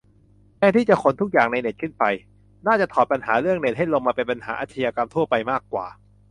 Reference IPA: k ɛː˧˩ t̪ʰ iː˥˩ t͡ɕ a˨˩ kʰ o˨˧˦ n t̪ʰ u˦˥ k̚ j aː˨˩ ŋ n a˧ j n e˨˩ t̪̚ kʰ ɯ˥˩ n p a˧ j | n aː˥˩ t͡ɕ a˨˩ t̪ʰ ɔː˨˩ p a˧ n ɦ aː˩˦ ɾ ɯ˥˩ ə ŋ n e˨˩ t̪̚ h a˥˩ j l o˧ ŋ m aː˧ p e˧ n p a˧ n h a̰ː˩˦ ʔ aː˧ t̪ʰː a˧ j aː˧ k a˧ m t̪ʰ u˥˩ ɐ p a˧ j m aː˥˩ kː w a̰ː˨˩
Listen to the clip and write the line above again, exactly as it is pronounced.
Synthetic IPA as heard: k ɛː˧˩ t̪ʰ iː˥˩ t͡ɕ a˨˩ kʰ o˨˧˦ n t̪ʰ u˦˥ k̚ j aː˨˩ ŋ n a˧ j n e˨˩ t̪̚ kʰ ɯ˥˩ n p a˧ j | n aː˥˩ t͡ɕ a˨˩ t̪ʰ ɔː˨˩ p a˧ n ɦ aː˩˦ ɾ ɯ˥˩ ə ŋ n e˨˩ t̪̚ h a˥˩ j l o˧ ŋ m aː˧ p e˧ n p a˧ n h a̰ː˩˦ ʔ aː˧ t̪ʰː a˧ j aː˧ k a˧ m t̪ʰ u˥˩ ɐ p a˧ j m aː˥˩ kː w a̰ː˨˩